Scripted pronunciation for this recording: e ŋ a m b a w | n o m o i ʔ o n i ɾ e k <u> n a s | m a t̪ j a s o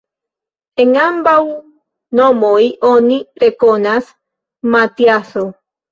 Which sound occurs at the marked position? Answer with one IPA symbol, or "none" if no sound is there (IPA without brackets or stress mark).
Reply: o